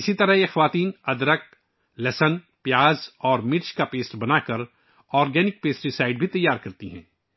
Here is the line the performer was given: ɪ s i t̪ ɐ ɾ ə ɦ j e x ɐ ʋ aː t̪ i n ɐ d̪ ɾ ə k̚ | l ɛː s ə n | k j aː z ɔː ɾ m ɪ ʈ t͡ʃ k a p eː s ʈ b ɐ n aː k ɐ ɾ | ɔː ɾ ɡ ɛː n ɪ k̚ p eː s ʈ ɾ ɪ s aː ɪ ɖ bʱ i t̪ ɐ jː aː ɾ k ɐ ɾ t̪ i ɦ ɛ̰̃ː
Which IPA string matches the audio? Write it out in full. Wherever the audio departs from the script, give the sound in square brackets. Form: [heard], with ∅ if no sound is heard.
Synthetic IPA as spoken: ɪ s i t̪ ɐ ɾ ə ɦ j e x ɐ ʋ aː t̪ [iː] n ɐ d̪ ɾ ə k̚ | l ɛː s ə n | [p] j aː z ɔː ɾ m ɪ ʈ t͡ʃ k a p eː s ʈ b ɐ n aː k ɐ ɾ | ɔː ɾ ɡ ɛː n ɪ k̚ p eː s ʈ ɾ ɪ s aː ɪ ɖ bʱ i t̪ ɐ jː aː ɾ k ɐ ɾ t̪ i ɦ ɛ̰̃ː